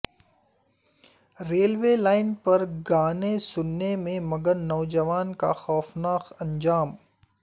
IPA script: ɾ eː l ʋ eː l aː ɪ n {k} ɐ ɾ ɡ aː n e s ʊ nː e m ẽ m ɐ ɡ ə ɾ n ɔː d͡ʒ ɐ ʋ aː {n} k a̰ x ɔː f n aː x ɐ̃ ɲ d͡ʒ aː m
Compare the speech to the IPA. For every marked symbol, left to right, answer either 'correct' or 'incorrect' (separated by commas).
incorrect, correct